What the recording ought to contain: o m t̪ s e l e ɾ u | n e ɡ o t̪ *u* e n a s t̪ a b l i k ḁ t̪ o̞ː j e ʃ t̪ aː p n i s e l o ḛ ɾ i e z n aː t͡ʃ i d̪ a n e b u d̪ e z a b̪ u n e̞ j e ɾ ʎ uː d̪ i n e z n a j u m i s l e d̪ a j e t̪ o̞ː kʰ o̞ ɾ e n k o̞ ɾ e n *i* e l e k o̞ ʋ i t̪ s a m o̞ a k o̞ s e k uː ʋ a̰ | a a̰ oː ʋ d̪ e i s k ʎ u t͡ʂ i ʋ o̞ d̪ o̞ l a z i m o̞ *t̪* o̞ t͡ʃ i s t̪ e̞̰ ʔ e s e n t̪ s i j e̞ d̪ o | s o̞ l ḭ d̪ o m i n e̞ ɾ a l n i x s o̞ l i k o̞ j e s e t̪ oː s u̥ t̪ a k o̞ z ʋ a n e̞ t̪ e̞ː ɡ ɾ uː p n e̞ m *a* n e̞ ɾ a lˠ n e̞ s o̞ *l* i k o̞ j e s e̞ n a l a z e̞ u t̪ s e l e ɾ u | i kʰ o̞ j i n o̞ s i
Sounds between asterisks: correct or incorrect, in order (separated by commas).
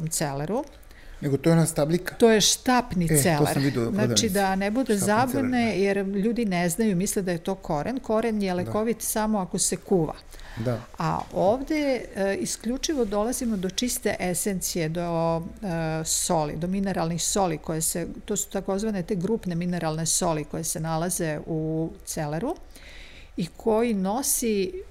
incorrect, incorrect, incorrect, incorrect, correct